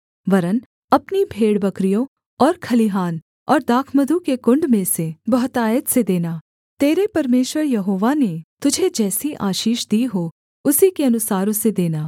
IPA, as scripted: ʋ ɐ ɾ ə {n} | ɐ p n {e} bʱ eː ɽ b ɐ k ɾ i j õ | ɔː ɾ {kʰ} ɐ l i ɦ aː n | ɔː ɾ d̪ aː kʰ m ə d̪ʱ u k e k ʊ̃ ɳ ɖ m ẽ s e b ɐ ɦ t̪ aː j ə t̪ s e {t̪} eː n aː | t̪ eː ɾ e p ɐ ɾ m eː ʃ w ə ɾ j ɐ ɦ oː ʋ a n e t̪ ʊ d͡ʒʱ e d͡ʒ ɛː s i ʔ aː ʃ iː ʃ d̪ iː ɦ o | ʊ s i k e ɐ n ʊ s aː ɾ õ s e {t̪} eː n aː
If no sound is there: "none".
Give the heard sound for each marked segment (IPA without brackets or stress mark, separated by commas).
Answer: n, i, kʰ, d̪, d̪